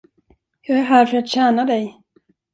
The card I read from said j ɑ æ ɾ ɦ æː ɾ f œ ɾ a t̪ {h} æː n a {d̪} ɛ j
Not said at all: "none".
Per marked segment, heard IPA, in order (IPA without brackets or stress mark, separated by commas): ɕ, d̪